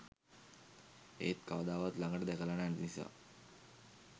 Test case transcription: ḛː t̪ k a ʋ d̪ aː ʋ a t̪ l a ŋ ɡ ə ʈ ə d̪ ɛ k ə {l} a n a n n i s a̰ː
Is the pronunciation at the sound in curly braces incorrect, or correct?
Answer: correct